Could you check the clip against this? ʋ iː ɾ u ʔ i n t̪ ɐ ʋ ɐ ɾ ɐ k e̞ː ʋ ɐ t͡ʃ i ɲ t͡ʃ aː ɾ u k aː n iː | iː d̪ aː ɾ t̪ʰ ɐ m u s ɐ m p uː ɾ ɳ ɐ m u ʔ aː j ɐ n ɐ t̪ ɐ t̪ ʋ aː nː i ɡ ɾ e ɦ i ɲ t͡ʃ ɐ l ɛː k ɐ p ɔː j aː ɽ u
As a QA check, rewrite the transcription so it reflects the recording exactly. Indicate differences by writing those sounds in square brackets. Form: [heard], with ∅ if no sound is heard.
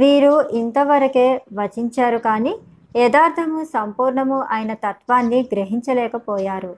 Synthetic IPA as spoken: ʋ iː ɾ u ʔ i n t̪ ɐ ʋ ɐ ɾ ɐ k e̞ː ʋ ɐ t͡ʃ i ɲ t͡ʃ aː ɾ u k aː n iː | [ɛː] d̪ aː ɾ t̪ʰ ɐ m u s ɐ m p uː ɾ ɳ ɐ m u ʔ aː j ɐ n ɐ t̪ ɐ t̪ ʋ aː nː i ɡ ɾ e ɦ i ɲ t͡ʃ ɐ l ɛː k ɐ p ɔː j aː [ɾ] u